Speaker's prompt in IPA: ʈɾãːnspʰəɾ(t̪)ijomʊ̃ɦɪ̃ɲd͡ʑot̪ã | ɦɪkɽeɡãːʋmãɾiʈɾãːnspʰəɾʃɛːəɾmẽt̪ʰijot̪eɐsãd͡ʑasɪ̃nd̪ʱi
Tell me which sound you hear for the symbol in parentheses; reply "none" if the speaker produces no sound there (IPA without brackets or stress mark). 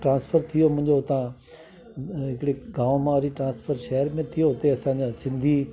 t̪ʰ